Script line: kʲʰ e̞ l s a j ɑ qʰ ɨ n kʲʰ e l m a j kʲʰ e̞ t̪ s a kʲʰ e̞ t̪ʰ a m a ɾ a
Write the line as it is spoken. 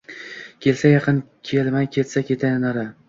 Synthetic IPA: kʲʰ e̞ l s a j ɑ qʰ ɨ n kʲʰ e l m a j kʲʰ e̞ t̪ s a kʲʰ e̞ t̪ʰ a n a ɾ a

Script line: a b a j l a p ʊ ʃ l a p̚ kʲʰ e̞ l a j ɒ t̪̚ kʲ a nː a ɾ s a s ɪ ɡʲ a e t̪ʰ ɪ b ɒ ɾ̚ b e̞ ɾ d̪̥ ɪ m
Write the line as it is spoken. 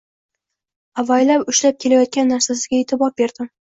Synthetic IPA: a v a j l a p ʊ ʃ l a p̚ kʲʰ e̞ l a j ɒ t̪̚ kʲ a nː a ɾ s a s ɪ ɡʲ a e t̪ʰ ɪ b ɒ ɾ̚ b e̞ ɾ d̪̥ ɪ m

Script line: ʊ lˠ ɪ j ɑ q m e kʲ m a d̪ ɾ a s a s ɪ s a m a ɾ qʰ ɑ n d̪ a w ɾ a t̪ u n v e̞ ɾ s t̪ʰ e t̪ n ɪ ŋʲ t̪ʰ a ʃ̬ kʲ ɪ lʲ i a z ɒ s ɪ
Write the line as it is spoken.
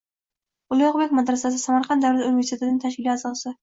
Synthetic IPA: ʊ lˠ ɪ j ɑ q b e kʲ m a d̪ ɾ a s a s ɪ s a m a ɾ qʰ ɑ n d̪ a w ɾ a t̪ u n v e̞ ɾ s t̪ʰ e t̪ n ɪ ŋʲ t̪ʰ a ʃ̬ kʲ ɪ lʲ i a z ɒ s ɪ

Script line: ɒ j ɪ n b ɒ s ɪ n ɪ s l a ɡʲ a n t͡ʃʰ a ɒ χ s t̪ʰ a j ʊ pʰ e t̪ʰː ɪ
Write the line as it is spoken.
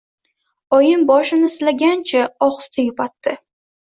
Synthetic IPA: ɒ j ɪ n b ɒ ʃ ɪ n ɪ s l a ɡʲ a n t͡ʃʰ a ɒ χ s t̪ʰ a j ʊ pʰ a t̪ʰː ɪ

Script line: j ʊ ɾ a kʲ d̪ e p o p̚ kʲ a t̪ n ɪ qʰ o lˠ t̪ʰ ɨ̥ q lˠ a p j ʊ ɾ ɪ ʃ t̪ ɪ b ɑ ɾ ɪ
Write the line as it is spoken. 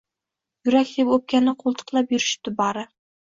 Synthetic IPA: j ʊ ɾ a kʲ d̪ e p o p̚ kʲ a n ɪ qʰ o lˠ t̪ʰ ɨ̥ q lˠ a p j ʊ ɾ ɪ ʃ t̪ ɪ b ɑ ɾ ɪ

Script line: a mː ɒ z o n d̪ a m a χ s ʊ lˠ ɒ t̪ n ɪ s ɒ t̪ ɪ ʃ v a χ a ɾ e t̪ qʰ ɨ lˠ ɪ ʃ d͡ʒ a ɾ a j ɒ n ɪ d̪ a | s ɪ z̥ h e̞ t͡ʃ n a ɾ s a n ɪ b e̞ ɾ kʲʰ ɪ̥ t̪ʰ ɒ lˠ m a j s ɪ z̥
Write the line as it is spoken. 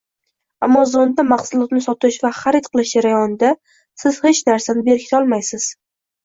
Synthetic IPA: a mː ɒ z o n d̪ a m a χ s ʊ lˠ ɒ t̪ n ɪ s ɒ t̪ ɪ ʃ v a χ a ɾ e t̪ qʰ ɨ lˠ ɪ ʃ d͡ʒ a ɾ a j ɒ n ɪ d̪ a | s ɪ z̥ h e̞ t͡ʃ n a ɾ s a n ɪ b e̞ ɾ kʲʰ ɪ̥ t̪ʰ ɒ lˠ m a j s ɪ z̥

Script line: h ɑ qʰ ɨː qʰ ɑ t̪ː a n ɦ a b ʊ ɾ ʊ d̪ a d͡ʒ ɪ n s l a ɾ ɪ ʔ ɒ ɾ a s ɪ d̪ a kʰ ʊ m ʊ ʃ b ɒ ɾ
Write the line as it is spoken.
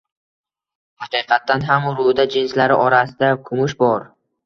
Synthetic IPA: h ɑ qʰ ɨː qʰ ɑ t̪ː a n ɦ a m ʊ ɾ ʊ d̪ a d͡ʒ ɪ n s l a ɾ ɪ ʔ ɒ ɾ a s ɪ d̪ a kʰ ʊ m ʊ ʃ b ɒ ɾ

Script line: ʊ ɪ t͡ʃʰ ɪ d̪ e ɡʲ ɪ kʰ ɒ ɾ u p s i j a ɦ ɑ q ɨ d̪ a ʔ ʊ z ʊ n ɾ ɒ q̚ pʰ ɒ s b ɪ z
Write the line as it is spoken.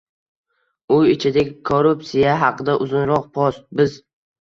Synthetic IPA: ʊ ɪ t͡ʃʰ ɪ d̪ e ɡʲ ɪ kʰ o ɾ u p s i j a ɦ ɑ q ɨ d̪ a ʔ ʊ z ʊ n ɾ ɒ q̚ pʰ ɒ s b ɪ z

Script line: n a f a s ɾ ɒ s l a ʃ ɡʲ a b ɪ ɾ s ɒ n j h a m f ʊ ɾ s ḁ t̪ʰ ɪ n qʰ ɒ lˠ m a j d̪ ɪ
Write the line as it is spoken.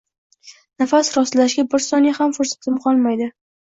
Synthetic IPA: n a f a s ɾ ɒ s l a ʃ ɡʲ a b ɪ ɾ s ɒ n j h a m f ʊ ɾ s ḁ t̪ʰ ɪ m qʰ ɒ lˠ m a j d̪ ɪ

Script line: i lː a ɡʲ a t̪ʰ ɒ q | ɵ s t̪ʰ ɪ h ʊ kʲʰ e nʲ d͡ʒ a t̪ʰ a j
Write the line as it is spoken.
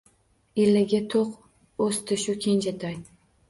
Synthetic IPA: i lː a ɡʲ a t̪ʰ o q | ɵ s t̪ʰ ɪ ʃ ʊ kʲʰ e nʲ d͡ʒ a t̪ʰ a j

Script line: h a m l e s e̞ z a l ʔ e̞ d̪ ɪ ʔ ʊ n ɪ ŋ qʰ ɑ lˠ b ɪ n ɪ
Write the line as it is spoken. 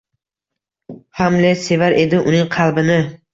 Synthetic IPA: h a m l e s e̞ v a ɾ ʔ e̞ d̪ ɪ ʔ ʊ n ɪ ŋ qʰ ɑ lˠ b ɪ n ɪ

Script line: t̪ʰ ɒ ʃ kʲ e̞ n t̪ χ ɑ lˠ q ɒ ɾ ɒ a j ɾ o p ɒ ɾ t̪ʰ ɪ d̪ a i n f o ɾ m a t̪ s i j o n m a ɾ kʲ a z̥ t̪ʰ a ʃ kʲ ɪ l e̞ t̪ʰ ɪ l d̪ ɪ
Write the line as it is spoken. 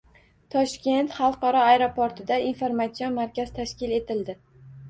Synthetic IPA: t̪ʰ ɒ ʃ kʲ e̞ n t̪ χ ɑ lˠ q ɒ ɾ ɒ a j ɾ o p o ɾ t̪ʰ ɪ d̪ a i n f o ɾ m a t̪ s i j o n m a ɾ kʲ a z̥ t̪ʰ a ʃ kʲ ɪ l e̞ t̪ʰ ɪ l d̪ ɪ

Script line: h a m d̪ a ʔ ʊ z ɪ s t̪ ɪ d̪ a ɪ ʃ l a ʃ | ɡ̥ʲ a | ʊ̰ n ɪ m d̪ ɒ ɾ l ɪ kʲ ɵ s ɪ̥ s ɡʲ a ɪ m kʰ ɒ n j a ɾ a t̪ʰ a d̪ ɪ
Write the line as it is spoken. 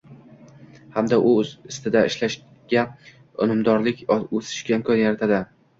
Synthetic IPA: h a m d̪ a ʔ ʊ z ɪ s t̪ ɪ d̪ a ɪ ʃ l a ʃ | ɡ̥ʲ a | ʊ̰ n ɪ m d̪ ɒ ɾ l ɪ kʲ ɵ s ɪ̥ ʃ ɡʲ a ɪ m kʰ ɒ n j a ɾ a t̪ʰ a d̪ ɪ

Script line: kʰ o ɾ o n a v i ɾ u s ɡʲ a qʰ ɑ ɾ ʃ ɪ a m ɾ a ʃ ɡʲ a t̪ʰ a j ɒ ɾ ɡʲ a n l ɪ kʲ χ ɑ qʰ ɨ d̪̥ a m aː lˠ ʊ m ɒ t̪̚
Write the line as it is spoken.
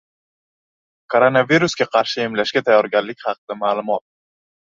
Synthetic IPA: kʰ o ɾ o n a v i ɾ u s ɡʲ a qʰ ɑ ɾ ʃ ɪ e m l a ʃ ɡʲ a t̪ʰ a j ɒ ɾ ɡʲ a n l ɪ kʲ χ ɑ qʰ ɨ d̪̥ a m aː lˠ ʊ m ɒ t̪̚

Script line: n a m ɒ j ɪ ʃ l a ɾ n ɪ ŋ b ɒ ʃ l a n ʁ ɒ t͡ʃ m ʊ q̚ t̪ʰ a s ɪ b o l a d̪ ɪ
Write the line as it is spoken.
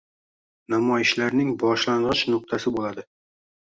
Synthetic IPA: n a m ɒ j ɪ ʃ l a ɾ n ɪ ŋ b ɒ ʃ l a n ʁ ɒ t͡ʃ n ʊ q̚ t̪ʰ a s ɪ b o l a d̪ ɪ

